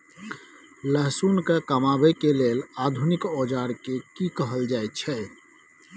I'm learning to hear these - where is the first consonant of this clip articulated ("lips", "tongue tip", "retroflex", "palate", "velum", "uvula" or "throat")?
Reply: tongue tip